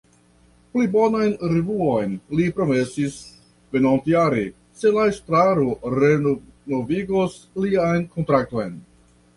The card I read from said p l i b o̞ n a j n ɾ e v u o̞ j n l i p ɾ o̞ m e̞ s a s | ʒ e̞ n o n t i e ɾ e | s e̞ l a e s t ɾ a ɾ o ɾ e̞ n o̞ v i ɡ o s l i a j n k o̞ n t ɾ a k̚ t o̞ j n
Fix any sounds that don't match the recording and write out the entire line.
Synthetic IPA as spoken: p l i b o̞ n a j n ɾ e v u o̞ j n l i p ɾ o̞ m e̞ s i s | v e̞ n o n t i a ɾ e | s e̞ l a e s t ɾ a ɾ o ɾ e̞ n o̞ v i ɡ o s l i a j n k o̞ n t ɾ a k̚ t o̞ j n